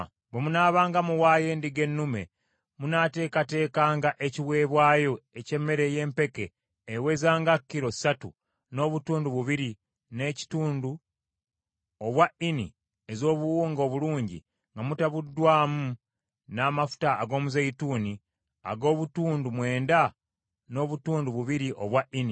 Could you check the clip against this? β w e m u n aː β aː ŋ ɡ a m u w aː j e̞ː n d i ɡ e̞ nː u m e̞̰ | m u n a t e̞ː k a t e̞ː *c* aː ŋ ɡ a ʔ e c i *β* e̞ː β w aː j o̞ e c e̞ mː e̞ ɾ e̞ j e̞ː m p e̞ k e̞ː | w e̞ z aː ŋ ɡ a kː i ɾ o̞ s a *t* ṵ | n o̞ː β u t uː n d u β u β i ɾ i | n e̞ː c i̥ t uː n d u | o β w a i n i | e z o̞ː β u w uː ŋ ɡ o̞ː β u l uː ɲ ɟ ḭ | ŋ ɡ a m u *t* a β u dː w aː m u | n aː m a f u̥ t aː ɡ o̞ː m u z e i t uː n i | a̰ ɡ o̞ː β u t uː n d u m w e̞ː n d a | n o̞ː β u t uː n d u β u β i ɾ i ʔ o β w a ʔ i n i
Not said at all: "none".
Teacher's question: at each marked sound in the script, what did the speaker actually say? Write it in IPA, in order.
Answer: k, w, t, t

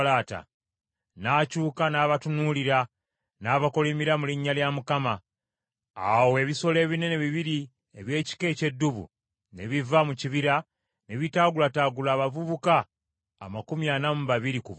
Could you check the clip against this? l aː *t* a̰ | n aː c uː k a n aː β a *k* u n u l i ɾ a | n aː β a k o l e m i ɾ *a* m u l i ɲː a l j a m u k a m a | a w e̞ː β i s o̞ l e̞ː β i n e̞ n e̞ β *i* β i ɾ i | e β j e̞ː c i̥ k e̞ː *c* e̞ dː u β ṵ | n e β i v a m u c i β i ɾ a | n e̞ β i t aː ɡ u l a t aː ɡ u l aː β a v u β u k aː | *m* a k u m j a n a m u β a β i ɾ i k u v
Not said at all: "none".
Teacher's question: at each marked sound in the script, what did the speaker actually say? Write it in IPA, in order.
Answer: t, t, a, i, c, m

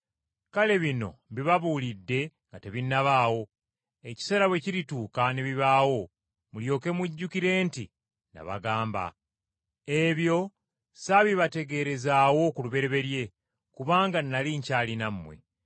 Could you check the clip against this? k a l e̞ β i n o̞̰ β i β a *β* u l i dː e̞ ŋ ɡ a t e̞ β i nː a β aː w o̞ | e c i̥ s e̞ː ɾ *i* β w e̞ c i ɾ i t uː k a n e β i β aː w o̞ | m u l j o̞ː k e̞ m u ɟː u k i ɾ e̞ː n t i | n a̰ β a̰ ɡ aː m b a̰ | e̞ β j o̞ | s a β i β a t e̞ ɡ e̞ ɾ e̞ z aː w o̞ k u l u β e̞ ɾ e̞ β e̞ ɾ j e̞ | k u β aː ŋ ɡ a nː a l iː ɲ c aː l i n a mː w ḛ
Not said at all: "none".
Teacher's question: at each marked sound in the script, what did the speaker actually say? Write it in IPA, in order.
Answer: β, a

